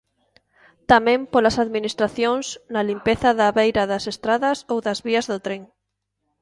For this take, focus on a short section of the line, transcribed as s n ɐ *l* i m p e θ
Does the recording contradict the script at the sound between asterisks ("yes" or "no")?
no